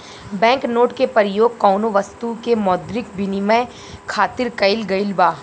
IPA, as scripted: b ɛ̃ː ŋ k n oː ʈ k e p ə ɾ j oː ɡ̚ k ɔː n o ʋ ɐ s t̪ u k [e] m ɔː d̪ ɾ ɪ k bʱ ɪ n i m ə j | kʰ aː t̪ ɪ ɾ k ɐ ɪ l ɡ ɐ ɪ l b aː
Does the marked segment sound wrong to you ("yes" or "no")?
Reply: no